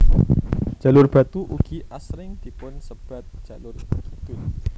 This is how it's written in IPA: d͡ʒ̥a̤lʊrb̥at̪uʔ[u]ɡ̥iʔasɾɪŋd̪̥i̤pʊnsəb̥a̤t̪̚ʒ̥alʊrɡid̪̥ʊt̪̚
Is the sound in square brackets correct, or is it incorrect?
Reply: correct